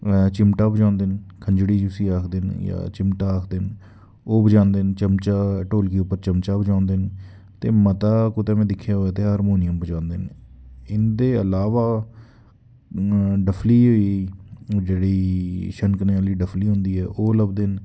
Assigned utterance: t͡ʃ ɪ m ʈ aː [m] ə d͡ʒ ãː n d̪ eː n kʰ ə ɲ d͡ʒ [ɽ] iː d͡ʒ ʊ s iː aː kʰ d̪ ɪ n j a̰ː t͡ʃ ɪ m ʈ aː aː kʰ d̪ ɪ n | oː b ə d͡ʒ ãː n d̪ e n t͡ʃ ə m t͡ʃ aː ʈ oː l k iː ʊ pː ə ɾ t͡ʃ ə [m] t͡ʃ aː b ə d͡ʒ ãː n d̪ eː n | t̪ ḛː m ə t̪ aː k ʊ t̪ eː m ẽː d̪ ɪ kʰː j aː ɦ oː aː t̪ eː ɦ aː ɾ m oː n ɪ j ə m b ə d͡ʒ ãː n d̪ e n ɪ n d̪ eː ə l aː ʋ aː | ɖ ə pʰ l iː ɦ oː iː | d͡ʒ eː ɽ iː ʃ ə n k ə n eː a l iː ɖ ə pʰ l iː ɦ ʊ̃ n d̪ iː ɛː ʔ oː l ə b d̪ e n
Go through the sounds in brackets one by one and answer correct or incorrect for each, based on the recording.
incorrect, correct, correct

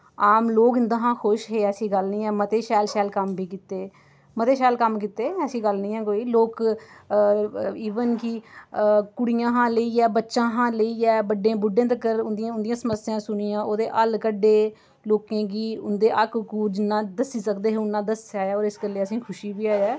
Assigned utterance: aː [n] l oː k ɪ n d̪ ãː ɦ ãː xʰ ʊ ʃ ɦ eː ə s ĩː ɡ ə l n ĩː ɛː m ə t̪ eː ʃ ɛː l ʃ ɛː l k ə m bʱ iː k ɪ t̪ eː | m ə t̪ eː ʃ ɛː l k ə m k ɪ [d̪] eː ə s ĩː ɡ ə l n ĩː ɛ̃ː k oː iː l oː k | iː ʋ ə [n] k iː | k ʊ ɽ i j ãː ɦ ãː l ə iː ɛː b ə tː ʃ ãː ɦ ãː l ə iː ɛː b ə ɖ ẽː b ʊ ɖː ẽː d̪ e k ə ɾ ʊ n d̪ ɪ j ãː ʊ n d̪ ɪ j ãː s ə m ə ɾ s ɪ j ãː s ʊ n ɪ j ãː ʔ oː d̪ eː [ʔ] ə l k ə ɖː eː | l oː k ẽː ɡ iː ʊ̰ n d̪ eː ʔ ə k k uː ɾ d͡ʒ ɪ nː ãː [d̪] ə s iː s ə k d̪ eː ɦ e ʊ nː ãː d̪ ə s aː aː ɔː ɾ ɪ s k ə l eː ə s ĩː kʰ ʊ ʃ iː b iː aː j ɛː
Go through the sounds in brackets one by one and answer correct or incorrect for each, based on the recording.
incorrect, incorrect, correct, correct, correct

